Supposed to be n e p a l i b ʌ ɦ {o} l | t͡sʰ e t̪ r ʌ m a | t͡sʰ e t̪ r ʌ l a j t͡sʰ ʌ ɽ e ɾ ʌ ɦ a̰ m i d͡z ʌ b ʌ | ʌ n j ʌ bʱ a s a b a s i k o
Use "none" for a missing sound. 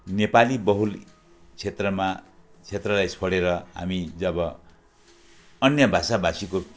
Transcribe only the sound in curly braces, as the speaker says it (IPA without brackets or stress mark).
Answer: u